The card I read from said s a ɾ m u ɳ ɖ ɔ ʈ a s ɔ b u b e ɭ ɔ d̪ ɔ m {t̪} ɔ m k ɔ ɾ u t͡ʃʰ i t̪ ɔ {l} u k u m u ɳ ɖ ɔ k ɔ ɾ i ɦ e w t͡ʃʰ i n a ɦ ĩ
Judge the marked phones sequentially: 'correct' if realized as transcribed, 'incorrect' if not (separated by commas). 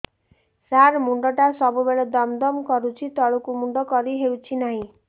incorrect, incorrect